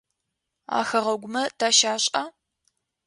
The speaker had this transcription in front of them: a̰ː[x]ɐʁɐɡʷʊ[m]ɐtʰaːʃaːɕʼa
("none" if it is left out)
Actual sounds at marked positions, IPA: x, m

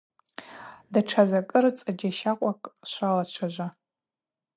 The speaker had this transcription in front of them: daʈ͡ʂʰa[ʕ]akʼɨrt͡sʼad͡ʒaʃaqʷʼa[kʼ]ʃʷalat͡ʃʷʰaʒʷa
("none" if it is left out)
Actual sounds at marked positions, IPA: z, kʼ

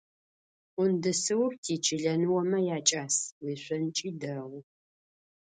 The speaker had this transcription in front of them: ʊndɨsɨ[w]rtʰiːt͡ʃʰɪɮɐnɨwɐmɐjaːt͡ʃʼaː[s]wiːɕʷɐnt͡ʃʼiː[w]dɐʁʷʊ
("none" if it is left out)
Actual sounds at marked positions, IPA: w, s, none

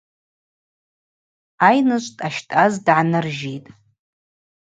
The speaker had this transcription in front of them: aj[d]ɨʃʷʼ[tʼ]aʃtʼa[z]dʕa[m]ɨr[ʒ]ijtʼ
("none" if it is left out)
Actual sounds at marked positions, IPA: n, tʼ, z, n, ʒ

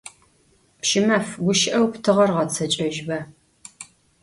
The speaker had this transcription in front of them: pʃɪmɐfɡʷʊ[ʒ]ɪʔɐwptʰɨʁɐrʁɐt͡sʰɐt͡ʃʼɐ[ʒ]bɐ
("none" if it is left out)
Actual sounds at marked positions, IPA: ʃ, ʒ

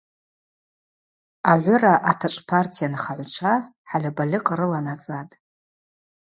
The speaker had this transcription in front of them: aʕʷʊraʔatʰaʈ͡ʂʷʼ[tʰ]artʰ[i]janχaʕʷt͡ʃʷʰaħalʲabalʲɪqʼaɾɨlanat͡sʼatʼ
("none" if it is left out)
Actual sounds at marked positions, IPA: pʰ, i

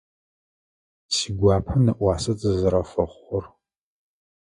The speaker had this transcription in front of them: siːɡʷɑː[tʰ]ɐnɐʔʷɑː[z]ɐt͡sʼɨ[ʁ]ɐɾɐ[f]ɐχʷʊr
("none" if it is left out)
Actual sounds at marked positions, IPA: pʰ, s, z, f

